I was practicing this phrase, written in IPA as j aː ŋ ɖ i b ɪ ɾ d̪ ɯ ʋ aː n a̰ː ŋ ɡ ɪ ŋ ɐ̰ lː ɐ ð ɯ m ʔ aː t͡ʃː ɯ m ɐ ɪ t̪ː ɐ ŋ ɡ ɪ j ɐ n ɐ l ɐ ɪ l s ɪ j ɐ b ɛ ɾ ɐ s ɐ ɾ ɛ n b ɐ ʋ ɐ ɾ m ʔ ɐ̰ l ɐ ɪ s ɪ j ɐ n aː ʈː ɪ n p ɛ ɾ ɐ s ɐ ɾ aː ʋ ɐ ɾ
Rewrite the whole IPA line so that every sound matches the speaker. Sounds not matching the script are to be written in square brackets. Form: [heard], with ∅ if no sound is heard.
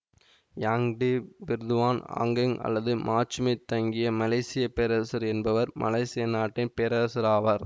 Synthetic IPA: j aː ŋ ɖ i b ɪ ɾ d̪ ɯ ʋ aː n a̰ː ŋ ɡ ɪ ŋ ɐ̰ lː ɐ ð ɯ m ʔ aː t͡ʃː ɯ m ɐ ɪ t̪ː ɐ ŋ ɡ ɪ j ɐ [m] ɐ l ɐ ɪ [∅] s ɪ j ɐ [p] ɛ ɾ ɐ s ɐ ɾ ɛ n b ɐ ʋ ɐ ɾ m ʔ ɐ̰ l ɐ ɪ s ɪ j ɐ n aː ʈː ɪ n p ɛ ɾ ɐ s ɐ ɾ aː ʋ ɐ ɾ